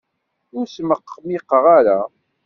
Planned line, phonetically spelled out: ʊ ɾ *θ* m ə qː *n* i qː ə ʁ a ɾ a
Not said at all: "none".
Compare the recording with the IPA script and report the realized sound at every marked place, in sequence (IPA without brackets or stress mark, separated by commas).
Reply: s, m